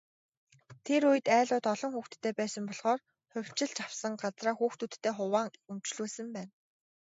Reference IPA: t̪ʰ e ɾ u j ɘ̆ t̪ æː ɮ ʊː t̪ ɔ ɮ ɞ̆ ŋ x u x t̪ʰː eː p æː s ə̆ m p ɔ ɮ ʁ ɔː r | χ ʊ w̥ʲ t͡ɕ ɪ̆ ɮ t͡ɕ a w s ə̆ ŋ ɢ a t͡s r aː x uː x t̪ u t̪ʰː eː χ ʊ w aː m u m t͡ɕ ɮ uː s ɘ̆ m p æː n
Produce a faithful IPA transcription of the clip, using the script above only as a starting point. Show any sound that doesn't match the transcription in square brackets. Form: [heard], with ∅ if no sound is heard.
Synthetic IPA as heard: t̪ʰ e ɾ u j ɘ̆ t̪ æː ɮ ʊː t̪ ɔ ɮ ɞ̆ ŋ x [uː] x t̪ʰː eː p æː s ə̆ m p ɔ ɮ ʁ ɔː r | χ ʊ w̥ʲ t͡ɕ ɪ̆ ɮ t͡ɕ a w s ə̆ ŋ ɢ a t͡s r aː x uː x t̪ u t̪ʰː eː χ ʊ w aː [ŋ] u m t͡ɕ ɮ uː s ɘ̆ m p æː n